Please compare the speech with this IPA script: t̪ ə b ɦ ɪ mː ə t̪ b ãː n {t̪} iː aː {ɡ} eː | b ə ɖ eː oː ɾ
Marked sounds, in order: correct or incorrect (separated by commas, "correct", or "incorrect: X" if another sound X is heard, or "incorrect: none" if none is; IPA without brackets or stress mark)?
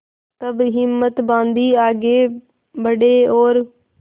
incorrect: d̪, correct